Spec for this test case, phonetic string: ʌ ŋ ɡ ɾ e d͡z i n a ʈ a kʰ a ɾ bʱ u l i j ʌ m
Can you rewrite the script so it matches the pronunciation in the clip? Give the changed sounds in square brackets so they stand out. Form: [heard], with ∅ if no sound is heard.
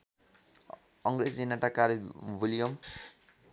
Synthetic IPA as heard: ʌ ŋ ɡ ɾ e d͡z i n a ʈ a [k] a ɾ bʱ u l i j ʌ m